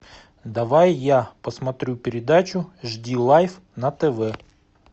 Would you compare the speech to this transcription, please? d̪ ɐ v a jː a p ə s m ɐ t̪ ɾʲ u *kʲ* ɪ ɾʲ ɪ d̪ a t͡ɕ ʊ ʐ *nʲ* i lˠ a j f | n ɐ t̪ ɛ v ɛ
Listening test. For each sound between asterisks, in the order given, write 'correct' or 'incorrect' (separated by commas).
incorrect, incorrect